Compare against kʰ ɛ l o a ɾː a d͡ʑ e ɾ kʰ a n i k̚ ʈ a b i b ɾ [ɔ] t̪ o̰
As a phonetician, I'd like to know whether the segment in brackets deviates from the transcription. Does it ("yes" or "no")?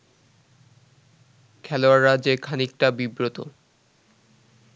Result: yes